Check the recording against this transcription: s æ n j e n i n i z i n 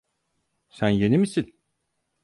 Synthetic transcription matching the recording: s æ n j e n i m i s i n

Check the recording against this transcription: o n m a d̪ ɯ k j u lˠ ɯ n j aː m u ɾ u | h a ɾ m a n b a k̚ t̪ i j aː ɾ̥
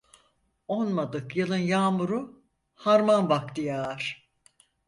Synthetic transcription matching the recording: o n m a d̪ ɯ k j ɯ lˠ ɯ n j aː m u ɾ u | h a ɾ m a n b a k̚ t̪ i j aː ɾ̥

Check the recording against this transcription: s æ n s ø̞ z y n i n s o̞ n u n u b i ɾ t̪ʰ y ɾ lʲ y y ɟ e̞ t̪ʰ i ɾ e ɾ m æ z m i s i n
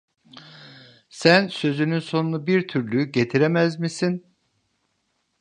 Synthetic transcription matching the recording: s æ n s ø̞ z y n y n s o̞ n u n u b i ɾ t̪ʰ y ɾ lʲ y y ɟ e̞ t̪ʰ i ɾ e m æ z m i s i n

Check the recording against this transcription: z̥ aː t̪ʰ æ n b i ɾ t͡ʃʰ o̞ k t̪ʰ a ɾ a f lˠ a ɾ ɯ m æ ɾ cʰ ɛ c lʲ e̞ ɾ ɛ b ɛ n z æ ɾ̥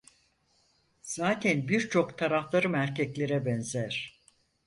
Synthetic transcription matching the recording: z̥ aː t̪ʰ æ n b i ɾ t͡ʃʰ o̞ k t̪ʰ a ɾ a f lˠ a ɾ ɯ m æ ɾ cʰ ɛ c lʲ e̞ ɾ ɛ b ɛ n z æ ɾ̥

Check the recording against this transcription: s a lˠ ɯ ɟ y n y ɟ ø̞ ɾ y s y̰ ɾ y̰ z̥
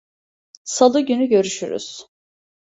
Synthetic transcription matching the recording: s a lˠ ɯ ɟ y n y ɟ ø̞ ɾ y ʃ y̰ ɾ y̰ z̥

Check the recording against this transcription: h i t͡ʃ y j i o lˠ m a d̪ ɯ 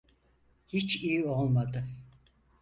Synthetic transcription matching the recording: h i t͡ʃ i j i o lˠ m a d̪ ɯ

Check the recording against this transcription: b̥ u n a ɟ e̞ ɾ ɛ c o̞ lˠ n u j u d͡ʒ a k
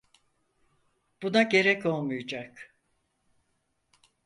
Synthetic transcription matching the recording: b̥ u n a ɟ e̞ ɾ ɛ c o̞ lˠ m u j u d͡ʒ a k

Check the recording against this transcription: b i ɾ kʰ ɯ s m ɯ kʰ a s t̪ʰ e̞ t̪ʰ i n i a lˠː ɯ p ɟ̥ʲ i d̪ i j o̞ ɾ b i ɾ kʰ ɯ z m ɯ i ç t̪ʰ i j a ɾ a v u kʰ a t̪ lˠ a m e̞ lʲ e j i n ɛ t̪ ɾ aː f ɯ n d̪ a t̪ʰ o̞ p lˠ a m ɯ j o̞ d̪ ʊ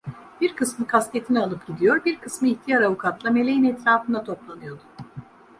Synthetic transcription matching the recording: b i ɾ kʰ ɯ s m ɯ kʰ a s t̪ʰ e̞ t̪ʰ i n i a lˠ ɯ p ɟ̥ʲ i d̪ i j o̞ ɾ b i ɾ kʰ ɯ s m ɯ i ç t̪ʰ i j a ɾ a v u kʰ a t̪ lˠ a m e̞ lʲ e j i n ɛ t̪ ɾ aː f ɯ n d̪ a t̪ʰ o̞ p lˠ a n ɯ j o̞ d̪ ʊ

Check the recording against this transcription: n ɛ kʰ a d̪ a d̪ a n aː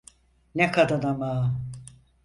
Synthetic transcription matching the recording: n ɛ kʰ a d̪ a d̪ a m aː

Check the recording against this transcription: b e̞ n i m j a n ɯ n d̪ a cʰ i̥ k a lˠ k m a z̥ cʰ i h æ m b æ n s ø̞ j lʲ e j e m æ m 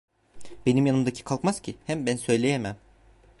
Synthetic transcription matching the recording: b e̞ n i m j a n ɯ m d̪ a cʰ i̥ kʰ a lˠ k m a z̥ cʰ i h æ m b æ n s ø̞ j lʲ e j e m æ m

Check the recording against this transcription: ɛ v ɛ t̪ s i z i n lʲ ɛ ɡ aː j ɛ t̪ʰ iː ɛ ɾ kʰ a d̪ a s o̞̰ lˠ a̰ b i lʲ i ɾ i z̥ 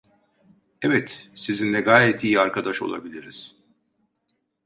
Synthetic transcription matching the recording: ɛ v ɛ t̪ s i z i n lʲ ɛ ɡ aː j ɛ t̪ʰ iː a ɾ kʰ a d̪ a ʃ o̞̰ lˠ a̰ b i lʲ i ɾ i z̥

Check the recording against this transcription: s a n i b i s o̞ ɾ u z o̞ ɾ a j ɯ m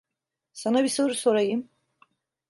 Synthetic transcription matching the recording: s a n a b i s o̞ ɾ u s o̞ ɾ a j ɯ m

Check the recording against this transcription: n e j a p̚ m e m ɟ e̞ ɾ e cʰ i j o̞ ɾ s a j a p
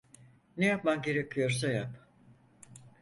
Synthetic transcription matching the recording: n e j a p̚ m a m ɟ e̞ ɾ e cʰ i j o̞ ɾ s a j a p

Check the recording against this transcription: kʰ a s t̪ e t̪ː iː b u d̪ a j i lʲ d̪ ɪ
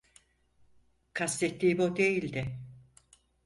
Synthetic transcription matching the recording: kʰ a s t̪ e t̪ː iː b o d̪ e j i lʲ d̪ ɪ

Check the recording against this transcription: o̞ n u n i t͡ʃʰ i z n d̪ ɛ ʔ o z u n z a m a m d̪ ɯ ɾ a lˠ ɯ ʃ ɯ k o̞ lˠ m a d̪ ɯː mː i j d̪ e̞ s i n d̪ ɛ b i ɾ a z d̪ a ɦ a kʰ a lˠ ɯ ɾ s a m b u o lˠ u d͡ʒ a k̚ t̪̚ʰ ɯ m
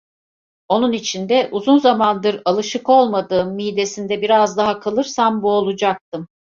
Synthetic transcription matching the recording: o̞ n u n i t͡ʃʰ i n d̪ ɛ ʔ u z u n z a m a n d̪ ɯ ɾ a lˠ ɯ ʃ ɯ k o̞ lˠ m a d̪ ɯː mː i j d̪ e̞ s i n d̪ ɛ b i ɾ a z d̪ a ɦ a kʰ a lˠ ɯ ɾ s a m b u o lˠ u d͡ʒ a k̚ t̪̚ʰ ɯ m

